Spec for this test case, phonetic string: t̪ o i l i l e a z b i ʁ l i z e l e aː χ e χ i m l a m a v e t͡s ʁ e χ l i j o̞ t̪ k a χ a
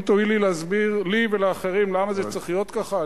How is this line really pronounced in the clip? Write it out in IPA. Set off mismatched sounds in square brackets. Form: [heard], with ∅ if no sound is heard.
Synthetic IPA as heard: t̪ o i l i l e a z b i ʁ l i [v] e l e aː χ e [ʁ] i m l a m a [z] e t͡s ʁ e χ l i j o̞ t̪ k a χ a